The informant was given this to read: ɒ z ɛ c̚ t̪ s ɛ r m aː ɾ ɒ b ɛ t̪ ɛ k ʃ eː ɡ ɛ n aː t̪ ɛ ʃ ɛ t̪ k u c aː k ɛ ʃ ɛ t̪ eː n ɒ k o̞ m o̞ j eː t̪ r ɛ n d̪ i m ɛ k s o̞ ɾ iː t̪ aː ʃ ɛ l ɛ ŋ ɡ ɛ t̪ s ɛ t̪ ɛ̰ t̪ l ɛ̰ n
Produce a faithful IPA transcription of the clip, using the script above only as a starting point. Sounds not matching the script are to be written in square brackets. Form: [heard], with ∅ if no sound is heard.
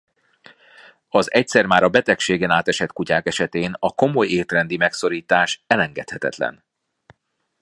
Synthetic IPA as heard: ɒ z ɛ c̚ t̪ s ɛ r m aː ɾ ɒ b ɛ t̪ ɛ k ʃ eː ɡ ɛ n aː t̪ ɛ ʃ ɛ t̪ k u c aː k ɛ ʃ ɛ t̪ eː n ɒ k o̞ m o̞ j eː t̪ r ɛ n d̪ i m ɛ k s o̞ ɾ iː t̪ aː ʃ ɛ l ɛ ŋ ɡ ɛ t̪ [h] ɛ t̪ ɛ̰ t̪ l ɛ̰ n